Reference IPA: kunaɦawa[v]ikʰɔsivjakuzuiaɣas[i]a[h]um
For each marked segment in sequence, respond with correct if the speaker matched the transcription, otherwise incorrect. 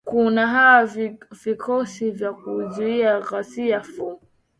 correct, correct, incorrect: f

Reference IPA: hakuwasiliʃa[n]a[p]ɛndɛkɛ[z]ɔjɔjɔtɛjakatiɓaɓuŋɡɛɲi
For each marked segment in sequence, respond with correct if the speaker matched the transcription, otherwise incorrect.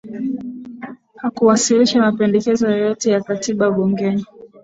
incorrect: m, correct, correct

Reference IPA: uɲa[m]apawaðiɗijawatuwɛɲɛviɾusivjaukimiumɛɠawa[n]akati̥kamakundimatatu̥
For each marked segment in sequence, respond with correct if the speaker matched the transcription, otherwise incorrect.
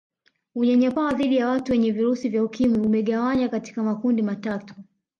incorrect: ɲ, incorrect: ɲ

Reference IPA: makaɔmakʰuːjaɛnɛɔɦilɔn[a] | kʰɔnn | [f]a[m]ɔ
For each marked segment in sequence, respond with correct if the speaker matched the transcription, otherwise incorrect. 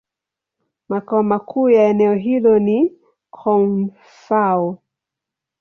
incorrect: i, correct, incorrect: none

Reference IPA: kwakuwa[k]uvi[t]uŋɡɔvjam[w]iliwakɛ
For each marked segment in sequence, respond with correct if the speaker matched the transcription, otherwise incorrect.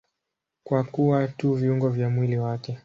incorrect: t, incorrect: none, correct

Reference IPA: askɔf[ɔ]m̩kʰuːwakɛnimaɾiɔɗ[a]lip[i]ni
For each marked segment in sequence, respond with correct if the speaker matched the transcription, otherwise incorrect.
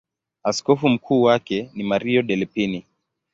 incorrect: u, incorrect: ɛ, correct

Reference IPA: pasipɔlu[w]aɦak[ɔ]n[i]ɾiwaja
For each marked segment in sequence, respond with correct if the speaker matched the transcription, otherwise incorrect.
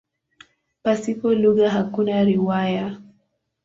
incorrect: ɣ, incorrect: u, incorrect: a

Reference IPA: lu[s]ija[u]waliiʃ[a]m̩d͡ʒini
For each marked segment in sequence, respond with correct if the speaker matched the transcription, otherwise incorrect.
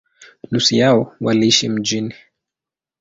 correct, incorrect: ɔ, incorrect: i

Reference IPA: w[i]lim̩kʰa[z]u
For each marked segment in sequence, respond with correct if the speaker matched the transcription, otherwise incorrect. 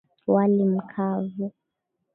incorrect: a, incorrect: v

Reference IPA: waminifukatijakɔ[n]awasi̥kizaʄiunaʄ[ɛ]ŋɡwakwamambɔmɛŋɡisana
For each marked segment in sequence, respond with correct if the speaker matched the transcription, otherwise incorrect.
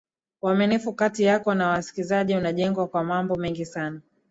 correct, correct

